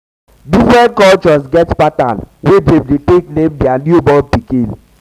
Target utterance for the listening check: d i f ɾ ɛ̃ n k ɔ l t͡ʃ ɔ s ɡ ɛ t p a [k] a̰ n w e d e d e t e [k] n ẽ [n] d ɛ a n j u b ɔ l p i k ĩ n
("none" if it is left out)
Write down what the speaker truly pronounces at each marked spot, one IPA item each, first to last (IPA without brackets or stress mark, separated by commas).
t, k, m